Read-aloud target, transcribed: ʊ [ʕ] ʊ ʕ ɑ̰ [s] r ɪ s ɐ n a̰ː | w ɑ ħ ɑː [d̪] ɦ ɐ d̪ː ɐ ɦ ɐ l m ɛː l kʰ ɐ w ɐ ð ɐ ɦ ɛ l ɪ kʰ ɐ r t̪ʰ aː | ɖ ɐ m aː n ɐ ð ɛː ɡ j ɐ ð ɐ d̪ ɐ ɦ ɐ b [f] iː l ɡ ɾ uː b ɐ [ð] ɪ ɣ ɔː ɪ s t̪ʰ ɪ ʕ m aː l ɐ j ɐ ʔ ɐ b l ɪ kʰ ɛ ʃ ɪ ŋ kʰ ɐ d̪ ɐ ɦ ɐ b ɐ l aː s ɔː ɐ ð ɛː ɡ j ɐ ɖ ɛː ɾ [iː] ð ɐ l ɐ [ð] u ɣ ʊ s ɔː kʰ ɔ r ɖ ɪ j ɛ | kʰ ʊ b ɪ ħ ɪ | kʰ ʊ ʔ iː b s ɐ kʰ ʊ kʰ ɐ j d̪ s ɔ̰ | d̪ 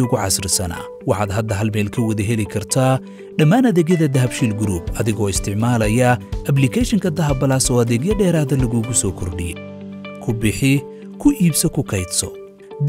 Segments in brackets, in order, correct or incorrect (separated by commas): incorrect, correct, correct, incorrect, correct, incorrect, incorrect